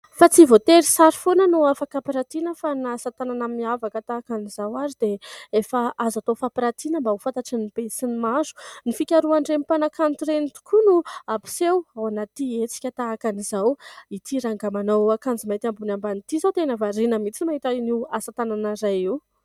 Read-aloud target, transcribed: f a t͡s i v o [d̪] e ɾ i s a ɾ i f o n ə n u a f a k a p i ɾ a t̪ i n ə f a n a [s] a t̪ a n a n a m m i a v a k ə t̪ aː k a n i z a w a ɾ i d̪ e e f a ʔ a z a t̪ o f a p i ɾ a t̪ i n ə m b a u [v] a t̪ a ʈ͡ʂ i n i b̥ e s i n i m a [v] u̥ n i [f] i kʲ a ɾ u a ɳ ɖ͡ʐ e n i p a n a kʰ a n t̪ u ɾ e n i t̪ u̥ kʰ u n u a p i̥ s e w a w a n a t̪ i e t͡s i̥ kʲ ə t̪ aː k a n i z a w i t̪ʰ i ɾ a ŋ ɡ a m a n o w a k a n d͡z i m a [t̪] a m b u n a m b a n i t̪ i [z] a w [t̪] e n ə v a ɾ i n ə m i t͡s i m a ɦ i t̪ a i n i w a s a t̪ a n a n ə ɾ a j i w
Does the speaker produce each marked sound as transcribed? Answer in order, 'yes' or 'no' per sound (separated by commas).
no, yes, no, no, yes, yes, yes, yes